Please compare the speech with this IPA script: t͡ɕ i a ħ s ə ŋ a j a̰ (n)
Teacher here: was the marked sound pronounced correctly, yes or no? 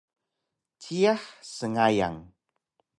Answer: no